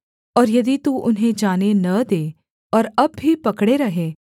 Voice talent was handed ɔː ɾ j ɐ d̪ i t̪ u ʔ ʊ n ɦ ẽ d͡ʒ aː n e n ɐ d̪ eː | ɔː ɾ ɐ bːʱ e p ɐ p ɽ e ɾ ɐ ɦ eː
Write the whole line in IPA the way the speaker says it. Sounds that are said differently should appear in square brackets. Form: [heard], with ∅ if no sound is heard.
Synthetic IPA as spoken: ɔː ɾ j ɐ d̪ i t̪ u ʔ ʊ n ɦ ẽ d͡ʒ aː n e n ɐ d̪ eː | ɔː ɾ ɐ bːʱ [i] p ɐ [k] ɽ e ɾ ɐ ɦ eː